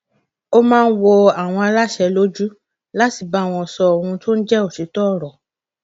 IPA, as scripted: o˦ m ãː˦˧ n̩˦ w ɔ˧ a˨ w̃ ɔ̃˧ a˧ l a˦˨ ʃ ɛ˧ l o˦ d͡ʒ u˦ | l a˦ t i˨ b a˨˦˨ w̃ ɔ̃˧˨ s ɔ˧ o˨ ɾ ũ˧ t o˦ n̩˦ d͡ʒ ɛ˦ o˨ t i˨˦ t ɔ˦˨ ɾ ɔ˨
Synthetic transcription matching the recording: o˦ m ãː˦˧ n̩˦ w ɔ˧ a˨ w̃ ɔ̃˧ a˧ l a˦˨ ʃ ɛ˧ l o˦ d͡ʒ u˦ | l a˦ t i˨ b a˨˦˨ w̃ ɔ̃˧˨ s ɔ˧ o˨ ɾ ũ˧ t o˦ n̩˦ d͡ʒ ɛ˦ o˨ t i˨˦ t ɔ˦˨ ɾ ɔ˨